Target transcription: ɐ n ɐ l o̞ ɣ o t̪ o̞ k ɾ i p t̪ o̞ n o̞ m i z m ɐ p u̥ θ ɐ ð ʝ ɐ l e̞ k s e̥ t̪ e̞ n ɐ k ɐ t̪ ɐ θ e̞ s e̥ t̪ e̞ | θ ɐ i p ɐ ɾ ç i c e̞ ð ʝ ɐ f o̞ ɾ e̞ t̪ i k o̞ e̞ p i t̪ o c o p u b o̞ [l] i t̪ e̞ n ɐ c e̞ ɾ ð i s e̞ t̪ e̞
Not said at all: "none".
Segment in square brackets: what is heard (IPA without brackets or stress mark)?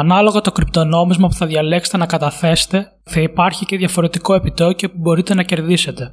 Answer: ɾ